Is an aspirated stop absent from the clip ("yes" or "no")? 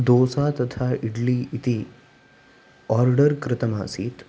no